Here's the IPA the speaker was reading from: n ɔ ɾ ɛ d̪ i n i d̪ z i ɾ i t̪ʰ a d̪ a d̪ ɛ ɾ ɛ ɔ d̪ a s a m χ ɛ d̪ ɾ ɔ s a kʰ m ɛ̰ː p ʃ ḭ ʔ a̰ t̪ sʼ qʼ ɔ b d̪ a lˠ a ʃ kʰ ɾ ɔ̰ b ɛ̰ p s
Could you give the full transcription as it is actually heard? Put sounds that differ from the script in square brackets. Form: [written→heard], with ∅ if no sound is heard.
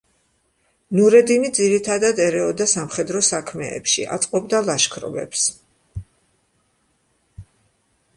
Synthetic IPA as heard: n [ɔ→u] ɾ ɛ d̪ i n i d̪ z i ɾ i t̪ʰ a d̪ a d̪ ɛ ɾ ɛ ɔ d̪ a s a m χ ɛ d̪ ɾ ɔ s a kʰ m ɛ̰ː p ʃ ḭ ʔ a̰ t̪ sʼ qʼ ɔ b d̪ a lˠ a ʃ kʰ ɾ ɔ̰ b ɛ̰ p s

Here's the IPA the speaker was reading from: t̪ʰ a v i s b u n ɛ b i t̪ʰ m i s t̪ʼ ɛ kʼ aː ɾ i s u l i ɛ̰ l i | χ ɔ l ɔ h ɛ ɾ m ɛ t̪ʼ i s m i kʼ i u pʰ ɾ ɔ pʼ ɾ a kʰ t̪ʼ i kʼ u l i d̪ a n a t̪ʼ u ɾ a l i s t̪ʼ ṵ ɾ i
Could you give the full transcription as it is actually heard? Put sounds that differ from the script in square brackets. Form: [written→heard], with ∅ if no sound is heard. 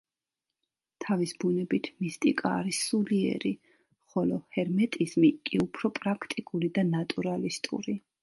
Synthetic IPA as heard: t̪ʰ a v i s b u n ɛ b i t̪ʰ m i s t̪ʼ [ɛ→i] kʼ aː ɾ i s u l i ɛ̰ [l→ɾ] i | χ ɔ l ɔ h ɛ ɾ m ɛ t̪ʼ i [s→z] m i kʼ i u pʰ ɾ ɔ pʼ ɾ a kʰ t̪ʼ i kʼ u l i d̪ a n a t̪ʼ u ɾ a l i s t̪ʼ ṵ ɾ i

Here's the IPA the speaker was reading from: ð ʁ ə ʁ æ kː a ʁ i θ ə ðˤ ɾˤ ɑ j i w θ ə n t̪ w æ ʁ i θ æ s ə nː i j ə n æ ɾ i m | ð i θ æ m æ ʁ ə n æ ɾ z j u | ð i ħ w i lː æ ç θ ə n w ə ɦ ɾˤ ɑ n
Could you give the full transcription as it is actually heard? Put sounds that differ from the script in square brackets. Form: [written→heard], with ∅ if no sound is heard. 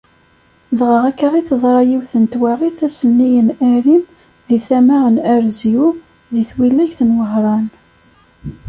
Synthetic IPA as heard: ð ʁ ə ʁ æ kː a ʁ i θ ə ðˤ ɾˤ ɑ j i w θ ə n t̪ w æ ʁ i θ æ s ə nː i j ə n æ ɾ i m | ð i θ æ m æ ʁ ə n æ ɾ z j u | ð i [ħ→θ] w i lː æ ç θ ə n w ə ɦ ɾˤ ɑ n

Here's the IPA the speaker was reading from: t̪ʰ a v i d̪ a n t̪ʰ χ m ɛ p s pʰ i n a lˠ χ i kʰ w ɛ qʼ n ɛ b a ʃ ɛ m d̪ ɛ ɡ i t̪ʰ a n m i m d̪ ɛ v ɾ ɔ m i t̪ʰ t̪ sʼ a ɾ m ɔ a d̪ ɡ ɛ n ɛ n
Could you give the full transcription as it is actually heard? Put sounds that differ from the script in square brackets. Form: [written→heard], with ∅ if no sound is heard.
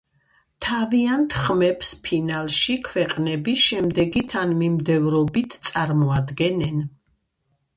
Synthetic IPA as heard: t̪ʰ a v i [d̪→∅] a n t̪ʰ χ m ɛ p s pʰ i n a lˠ [χ→ʃ] i kʰ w ɛ qʼ n ɛ b [a→i] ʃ ɛ m d̪ ɛ ɡ i t̪ʰ a n m i m d̪ ɛ v ɾ ɔ [m→b] i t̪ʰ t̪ sʼ a ɾ m ɔ a d̪ ɡ ɛ n ɛ n

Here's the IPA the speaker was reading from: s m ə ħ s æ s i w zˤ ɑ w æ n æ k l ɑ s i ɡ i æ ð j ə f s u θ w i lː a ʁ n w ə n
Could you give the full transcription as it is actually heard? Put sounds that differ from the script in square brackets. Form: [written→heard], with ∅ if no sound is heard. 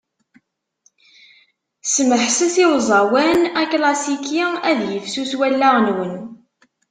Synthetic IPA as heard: s m ə ħ s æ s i w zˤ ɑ w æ n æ k l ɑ s i [ɡ→k] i æ ð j ə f s u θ w [i→æ] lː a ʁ n w ə n

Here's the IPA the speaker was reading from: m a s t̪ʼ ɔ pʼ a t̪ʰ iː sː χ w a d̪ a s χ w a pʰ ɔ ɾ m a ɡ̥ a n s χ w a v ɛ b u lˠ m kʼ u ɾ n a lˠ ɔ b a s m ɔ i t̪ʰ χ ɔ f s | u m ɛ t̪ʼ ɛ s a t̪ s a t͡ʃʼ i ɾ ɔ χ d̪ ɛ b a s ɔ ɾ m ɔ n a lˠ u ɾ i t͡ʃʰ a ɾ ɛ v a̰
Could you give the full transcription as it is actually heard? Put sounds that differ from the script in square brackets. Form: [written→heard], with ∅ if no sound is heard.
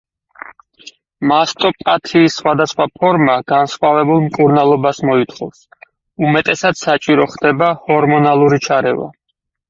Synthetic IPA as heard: m a s t̪ʼ ɔ pʼ a t̪ʰ iː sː χ w a d̪ a s χ w a pʰ ɔ ɾ m a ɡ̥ a n s χ w a v ɛ b u lˠ m kʼ u ɾ n a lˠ ɔ b a s m ɔ i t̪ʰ χ ɔ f s | u m ɛ t̪ʼ ɛ s a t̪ s a t͡ʃʼ i ɾ ɔ χ d̪ ɛ b a [s→h] ɔ ɾ m ɔ n a lˠ u ɾ i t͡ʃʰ a ɾ ɛ v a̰

